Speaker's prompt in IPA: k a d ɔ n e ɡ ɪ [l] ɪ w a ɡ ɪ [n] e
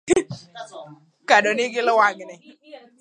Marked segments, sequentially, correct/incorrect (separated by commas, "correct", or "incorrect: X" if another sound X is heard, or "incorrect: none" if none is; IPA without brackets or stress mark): correct, correct